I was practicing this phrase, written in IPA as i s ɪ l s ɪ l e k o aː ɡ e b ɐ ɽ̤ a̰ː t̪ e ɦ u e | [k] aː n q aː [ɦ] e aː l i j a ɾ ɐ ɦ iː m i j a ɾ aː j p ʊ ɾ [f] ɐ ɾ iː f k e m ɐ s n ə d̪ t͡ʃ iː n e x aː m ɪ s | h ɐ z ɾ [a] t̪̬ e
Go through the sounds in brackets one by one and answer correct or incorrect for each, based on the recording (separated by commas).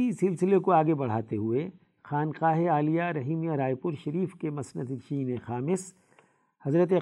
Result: incorrect, correct, incorrect, incorrect